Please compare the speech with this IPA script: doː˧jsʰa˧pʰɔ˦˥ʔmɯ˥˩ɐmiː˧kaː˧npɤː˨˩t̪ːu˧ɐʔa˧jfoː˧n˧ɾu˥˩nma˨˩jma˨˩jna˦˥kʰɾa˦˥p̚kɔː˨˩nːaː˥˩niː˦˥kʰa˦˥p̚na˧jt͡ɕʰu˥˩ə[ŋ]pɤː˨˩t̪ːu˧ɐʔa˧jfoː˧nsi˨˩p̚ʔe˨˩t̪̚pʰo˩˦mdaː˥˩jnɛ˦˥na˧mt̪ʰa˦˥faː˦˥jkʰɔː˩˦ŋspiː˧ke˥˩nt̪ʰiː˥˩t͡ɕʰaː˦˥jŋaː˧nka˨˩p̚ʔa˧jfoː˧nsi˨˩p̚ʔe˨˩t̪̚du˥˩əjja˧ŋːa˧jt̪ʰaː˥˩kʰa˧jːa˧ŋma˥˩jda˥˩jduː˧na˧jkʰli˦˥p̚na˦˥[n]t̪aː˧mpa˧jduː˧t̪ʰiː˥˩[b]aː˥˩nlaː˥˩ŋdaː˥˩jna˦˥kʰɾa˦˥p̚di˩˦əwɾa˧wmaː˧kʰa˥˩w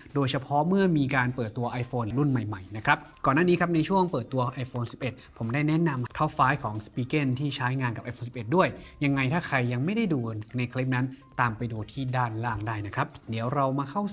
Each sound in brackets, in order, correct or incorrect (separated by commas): correct, correct, incorrect